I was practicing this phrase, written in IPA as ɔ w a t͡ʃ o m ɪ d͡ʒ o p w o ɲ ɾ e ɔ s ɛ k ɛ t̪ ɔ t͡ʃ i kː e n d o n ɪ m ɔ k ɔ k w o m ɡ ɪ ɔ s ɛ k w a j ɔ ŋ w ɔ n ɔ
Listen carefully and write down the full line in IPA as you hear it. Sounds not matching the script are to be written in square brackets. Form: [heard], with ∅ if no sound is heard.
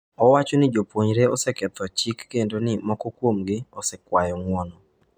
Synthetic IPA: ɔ w a t͡ʃ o [n] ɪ d͡ʒ o p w o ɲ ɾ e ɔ s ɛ k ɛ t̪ ɔ t͡ʃ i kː e n d o n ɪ m ɔ k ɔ k w o m ɡ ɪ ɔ s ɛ k w a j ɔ ŋ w ɔ n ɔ